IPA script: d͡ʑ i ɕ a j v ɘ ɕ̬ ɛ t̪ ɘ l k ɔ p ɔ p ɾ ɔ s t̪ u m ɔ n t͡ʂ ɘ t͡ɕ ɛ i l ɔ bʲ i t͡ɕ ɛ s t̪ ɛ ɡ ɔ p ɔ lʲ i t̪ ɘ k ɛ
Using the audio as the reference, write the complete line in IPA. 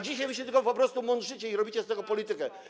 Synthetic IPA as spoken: d͡ʑ i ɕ a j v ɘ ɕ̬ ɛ t̪ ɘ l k ɔ p ɔ p ɾ ɔ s t̪ u m ɔ n t͡ʂ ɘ t͡ɕ ɛ i ɾ ɔ bʲ i t͡ɕ ɛ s t̪ ɛ ɡ ɔ p ɔ lʲ i t̪ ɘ k ɛ